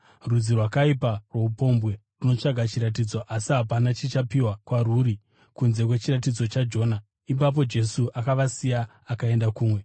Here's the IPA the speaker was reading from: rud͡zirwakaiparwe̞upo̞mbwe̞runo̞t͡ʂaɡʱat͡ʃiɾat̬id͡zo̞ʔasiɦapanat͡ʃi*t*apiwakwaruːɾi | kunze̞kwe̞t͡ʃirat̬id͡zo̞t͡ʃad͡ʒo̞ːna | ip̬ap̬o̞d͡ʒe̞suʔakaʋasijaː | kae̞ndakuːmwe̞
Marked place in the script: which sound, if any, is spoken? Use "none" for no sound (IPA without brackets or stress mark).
t͡ʃ